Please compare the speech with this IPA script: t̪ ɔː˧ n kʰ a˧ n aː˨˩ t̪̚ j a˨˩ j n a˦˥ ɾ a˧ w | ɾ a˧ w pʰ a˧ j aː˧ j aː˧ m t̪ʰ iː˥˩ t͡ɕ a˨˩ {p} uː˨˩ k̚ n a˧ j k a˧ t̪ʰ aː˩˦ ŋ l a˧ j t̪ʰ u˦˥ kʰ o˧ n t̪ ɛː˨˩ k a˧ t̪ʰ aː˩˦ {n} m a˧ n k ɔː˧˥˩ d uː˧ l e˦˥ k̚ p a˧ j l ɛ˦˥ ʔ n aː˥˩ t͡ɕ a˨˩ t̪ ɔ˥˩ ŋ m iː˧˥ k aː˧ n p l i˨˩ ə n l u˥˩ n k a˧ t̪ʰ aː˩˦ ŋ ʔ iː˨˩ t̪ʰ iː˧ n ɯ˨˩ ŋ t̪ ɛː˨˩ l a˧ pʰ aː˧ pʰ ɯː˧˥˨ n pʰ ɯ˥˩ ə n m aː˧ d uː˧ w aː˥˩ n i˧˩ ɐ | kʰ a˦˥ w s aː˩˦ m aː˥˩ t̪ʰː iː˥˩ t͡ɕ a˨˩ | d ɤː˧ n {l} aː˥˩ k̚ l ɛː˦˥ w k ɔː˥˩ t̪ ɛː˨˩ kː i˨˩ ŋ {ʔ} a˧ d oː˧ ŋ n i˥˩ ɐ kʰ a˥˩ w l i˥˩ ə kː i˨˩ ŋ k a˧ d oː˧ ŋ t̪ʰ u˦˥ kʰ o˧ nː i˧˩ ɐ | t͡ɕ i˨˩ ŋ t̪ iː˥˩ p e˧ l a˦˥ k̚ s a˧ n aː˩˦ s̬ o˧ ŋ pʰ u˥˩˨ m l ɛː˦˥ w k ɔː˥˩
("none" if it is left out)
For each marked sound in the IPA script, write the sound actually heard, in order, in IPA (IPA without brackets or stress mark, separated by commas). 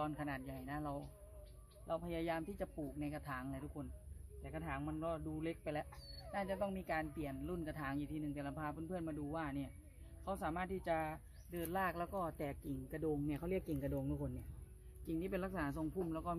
p, ŋ, l, k